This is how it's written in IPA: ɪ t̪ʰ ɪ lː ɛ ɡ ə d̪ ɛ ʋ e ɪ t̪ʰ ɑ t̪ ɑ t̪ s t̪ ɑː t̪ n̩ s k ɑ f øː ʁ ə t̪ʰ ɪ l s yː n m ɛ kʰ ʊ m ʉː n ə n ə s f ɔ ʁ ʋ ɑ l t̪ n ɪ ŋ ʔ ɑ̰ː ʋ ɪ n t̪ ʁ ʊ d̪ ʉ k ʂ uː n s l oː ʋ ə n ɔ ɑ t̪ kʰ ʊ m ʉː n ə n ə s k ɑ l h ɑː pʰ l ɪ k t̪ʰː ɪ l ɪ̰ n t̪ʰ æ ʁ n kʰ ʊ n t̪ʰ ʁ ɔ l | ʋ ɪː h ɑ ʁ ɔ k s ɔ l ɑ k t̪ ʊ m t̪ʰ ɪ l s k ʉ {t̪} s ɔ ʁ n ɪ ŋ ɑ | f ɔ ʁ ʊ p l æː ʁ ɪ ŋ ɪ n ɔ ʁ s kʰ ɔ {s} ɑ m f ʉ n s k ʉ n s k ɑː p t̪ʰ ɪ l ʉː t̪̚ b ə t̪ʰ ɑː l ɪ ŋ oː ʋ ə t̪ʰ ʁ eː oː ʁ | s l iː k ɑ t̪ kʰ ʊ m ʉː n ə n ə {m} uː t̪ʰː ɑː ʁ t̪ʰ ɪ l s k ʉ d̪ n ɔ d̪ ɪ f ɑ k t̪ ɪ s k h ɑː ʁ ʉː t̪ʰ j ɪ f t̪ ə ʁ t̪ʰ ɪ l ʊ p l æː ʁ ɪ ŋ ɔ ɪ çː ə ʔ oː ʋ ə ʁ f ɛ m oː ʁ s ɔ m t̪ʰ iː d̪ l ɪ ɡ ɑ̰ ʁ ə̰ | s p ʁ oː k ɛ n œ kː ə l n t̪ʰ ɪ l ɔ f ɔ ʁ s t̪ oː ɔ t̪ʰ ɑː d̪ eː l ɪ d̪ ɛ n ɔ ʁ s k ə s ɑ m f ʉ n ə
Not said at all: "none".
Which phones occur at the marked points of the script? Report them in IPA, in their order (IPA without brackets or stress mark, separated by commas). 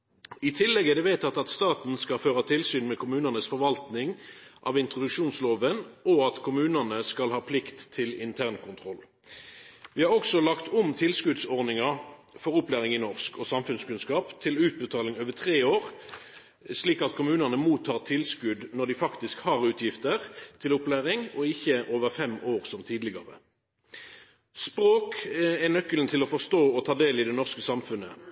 d̪, s, m